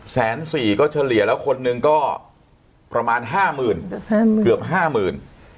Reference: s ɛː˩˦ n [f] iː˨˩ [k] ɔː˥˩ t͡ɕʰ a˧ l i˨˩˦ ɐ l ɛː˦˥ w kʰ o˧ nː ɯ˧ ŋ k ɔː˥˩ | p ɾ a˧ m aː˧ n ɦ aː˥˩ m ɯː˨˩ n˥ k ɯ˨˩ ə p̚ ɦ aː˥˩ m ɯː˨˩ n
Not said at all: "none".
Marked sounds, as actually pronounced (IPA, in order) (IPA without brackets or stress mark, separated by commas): s, k